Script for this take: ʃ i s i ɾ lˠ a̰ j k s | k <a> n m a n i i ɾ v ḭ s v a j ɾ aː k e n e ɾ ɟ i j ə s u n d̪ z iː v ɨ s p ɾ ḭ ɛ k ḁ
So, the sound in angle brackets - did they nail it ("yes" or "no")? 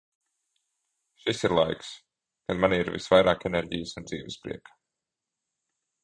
yes